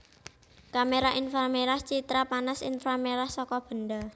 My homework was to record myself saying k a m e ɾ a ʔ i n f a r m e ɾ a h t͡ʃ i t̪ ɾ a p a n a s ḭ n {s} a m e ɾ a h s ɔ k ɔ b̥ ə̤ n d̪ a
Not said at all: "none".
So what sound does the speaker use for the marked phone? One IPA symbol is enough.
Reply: f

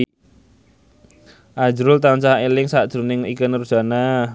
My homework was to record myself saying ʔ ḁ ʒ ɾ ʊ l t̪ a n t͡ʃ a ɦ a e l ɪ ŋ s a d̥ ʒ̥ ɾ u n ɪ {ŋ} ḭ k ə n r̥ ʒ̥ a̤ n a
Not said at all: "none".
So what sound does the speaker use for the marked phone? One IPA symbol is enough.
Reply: ŋ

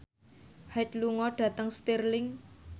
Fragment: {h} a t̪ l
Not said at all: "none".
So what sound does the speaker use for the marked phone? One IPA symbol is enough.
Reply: h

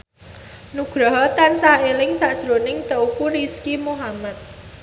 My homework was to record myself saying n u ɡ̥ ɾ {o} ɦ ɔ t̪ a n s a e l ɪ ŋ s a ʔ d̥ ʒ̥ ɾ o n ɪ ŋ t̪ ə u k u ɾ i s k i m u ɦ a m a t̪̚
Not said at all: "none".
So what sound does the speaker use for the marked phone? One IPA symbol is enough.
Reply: ɔ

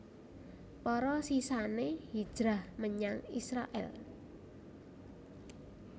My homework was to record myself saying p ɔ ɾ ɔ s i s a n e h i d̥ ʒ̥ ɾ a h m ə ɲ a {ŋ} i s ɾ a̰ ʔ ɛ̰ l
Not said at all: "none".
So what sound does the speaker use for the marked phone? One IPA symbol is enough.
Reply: ŋ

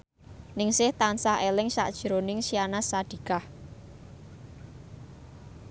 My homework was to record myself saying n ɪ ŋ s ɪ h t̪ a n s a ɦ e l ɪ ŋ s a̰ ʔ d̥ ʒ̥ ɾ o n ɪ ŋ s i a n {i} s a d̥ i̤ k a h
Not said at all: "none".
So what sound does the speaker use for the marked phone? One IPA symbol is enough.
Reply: a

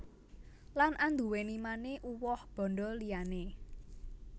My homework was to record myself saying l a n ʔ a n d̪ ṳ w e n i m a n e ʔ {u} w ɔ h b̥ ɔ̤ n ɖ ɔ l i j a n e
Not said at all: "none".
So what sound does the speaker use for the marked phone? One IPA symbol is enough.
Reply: u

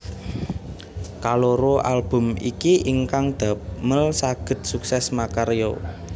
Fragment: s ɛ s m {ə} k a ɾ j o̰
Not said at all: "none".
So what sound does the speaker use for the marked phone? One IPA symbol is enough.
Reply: a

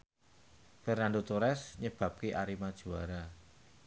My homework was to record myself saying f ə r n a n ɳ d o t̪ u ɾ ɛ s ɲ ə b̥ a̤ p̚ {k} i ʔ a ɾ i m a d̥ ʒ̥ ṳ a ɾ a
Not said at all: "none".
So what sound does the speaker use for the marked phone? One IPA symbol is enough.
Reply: k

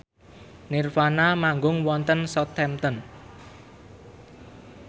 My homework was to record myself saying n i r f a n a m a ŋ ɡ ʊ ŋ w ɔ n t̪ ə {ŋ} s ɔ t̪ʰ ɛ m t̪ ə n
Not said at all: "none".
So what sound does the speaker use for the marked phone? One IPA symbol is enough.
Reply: n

